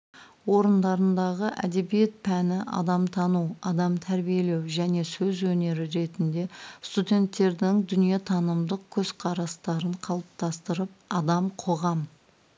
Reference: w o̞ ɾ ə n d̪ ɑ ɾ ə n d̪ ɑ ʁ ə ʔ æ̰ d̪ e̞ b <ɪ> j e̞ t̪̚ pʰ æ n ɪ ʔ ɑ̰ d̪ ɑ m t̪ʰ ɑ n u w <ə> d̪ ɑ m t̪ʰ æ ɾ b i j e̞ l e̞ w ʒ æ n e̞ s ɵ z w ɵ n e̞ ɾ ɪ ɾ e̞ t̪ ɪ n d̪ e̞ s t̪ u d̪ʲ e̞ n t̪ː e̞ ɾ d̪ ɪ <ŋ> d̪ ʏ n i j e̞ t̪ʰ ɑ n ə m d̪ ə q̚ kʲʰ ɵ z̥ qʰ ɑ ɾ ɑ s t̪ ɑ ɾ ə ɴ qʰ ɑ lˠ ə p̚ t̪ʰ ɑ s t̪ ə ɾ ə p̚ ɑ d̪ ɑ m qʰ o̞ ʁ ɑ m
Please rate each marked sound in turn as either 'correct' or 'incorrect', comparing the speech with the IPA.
incorrect: i, incorrect: ɑ, correct

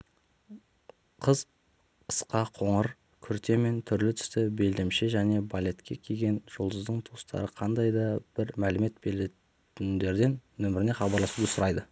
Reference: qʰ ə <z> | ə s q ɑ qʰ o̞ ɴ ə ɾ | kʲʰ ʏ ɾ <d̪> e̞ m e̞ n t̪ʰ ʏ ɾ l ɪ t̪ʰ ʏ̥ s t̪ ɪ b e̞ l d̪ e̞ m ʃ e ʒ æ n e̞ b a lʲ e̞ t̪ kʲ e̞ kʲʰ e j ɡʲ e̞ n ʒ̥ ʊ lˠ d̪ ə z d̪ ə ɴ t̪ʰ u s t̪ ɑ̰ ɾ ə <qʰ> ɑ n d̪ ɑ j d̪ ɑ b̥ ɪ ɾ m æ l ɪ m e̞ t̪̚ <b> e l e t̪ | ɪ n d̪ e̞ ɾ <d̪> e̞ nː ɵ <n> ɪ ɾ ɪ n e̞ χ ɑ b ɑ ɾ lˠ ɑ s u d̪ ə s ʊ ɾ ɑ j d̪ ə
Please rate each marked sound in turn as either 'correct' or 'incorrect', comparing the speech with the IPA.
correct, incorrect: t̪, correct, correct, correct, incorrect: m

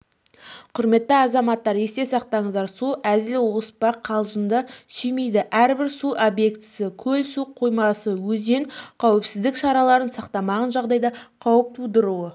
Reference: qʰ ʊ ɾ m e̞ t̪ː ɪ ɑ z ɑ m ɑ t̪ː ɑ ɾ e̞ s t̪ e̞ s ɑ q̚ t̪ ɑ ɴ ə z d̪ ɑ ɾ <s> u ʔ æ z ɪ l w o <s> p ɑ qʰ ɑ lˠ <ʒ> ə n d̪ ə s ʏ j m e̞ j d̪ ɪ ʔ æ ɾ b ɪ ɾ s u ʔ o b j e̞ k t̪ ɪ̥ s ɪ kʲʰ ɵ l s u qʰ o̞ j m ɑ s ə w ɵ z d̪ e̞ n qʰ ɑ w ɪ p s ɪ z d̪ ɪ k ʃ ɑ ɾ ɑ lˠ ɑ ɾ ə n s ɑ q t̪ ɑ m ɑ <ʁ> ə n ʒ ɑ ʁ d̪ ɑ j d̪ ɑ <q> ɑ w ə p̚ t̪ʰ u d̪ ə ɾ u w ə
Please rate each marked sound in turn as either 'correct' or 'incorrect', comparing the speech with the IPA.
correct, correct, correct, correct, incorrect: qʰ

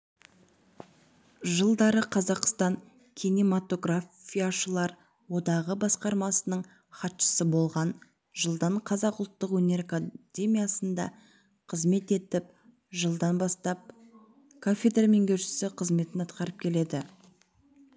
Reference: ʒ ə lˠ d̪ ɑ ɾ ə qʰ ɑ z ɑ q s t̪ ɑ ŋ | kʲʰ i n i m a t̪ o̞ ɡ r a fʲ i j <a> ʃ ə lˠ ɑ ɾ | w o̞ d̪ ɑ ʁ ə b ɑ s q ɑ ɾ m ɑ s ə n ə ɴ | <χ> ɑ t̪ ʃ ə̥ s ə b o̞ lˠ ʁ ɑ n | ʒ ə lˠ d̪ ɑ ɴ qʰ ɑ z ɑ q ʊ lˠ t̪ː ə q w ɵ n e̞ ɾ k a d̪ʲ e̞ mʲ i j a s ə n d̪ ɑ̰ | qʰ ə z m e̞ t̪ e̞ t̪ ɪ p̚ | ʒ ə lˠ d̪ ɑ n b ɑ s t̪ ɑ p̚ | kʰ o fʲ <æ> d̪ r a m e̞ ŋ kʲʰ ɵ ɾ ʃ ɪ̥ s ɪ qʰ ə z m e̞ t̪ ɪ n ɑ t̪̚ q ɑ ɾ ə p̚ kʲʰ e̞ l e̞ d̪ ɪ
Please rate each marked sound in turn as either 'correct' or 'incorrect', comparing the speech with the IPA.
correct, correct, incorrect: e

